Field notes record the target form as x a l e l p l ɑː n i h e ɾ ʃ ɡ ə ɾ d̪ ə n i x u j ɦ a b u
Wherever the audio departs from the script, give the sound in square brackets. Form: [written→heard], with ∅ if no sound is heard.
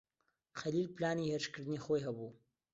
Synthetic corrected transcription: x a l [e→i] l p l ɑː n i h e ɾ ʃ [ɡ→k] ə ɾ d̪ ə n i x [u→o] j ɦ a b u